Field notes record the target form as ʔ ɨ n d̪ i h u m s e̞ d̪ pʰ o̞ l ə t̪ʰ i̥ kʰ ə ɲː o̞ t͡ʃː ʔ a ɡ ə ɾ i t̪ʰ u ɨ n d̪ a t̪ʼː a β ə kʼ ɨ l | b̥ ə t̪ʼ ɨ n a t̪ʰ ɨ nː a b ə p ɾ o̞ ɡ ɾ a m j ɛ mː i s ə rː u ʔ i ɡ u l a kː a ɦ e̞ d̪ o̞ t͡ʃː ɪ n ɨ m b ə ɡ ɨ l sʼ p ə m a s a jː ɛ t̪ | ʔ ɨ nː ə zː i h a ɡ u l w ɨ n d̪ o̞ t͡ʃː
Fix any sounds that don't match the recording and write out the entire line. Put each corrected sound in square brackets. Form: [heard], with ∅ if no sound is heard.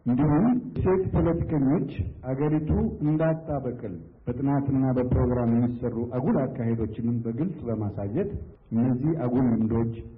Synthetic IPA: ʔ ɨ n d̪ i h u m s e̞ [t̪] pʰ o̞ l ə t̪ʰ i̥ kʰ ə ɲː o̞ t͡ʃː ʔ a ɡ ə ɾ i t̪ʰ u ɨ n d̪ a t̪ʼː a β ə kʼ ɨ l | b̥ ə t̪ʼ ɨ n a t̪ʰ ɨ nː a b ə p ɾ o̞ ɡ ɾ a m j ɛ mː i s ə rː u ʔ [a] ɡ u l a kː a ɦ e̞ d̪ o̞ t͡ʃː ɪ n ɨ m b ə ɡ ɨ l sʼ [b] ə m a s a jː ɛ t̪ | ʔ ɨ nː ə zː i h a ɡ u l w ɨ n d̪ o̞ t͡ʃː